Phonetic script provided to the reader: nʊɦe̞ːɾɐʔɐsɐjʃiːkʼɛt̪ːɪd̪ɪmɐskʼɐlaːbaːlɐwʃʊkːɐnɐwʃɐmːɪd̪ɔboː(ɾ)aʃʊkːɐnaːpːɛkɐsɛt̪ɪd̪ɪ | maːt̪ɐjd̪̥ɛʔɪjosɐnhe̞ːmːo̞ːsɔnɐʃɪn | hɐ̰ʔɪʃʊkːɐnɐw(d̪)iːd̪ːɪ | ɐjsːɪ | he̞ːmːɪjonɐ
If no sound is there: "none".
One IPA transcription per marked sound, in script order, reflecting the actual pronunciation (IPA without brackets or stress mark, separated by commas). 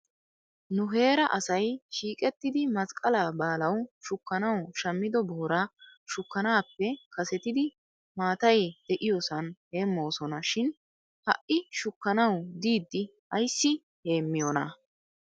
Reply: ɾ, d̪